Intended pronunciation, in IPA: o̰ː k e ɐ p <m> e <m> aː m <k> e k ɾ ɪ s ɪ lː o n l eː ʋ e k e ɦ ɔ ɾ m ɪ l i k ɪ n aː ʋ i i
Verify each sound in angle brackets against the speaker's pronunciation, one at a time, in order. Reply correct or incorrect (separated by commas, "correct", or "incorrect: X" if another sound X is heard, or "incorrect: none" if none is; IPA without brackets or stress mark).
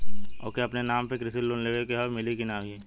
incorrect: n, incorrect: n, incorrect: p